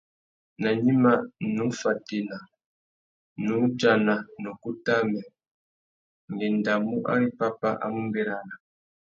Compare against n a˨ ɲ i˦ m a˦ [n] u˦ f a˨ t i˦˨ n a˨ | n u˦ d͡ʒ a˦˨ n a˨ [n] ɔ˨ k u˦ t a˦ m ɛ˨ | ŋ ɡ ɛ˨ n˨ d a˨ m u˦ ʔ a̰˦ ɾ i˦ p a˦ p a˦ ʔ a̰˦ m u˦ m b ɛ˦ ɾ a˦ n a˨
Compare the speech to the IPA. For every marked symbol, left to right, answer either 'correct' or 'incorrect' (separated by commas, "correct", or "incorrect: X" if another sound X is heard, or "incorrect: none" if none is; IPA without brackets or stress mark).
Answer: correct, correct